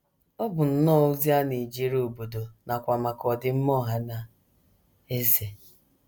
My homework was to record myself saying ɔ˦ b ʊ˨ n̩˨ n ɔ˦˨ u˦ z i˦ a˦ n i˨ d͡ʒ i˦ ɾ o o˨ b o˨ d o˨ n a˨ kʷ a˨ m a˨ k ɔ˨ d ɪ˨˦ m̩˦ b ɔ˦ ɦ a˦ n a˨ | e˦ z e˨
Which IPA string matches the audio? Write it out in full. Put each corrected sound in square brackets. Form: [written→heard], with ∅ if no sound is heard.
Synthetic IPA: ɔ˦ b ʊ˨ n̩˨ n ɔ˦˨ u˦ z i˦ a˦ n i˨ d͡ʒ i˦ ɾ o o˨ b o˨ d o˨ n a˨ kʷ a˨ m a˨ k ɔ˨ d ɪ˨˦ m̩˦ [b→m] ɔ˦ ɦ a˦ n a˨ | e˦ z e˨